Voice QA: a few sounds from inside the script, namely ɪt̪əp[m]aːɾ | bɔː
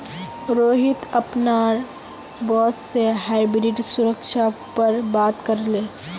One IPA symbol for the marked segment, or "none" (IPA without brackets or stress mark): n